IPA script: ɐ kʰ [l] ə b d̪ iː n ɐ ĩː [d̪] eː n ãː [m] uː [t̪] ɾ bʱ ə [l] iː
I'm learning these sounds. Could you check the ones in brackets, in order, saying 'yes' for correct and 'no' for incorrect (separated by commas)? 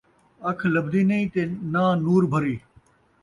yes, no, no, no, no